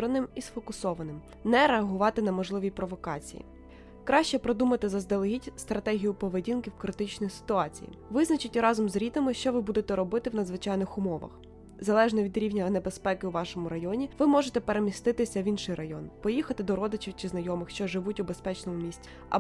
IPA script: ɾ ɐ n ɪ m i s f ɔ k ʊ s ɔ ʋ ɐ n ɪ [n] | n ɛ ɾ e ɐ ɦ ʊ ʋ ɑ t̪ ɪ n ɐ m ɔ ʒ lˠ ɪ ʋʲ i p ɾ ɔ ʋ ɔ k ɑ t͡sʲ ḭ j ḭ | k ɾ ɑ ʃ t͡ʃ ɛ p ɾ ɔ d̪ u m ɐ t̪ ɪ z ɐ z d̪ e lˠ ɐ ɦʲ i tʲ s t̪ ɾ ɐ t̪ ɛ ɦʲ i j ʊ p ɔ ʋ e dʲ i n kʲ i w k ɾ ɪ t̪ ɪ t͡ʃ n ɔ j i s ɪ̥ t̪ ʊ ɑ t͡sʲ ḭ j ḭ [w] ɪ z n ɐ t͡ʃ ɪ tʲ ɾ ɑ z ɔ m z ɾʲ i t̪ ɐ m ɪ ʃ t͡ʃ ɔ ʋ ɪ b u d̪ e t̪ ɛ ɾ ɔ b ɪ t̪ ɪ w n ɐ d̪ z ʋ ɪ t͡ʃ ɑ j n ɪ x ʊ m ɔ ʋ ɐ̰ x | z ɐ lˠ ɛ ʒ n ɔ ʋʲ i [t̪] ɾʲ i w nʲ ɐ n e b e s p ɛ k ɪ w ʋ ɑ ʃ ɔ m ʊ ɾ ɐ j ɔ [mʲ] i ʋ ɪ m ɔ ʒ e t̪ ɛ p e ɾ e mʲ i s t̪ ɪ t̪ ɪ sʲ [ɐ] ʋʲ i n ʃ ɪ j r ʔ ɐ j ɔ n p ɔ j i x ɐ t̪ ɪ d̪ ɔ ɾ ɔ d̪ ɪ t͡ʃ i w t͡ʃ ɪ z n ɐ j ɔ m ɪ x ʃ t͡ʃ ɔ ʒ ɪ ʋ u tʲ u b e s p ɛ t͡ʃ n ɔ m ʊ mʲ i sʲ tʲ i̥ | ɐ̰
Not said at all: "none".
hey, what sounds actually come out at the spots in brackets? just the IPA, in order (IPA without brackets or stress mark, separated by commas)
m, ʋ, d̪, nʲ, ɐ